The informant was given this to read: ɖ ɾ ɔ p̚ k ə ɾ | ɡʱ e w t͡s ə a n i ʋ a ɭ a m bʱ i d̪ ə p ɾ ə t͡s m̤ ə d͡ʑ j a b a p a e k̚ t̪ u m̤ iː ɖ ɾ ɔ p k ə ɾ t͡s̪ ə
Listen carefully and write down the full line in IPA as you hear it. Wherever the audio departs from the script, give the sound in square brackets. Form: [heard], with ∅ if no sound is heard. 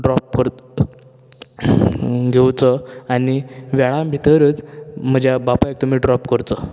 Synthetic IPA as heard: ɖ ɾ ɔ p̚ k ə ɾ | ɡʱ e w t͡s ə a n i ʋ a ɭ a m bʱ i [t̪] ə [∅] ɾ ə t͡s m̤ ə d͡ʑ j a b a p a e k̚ t̪ u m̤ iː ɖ ɾ ɔ p k ə ɾ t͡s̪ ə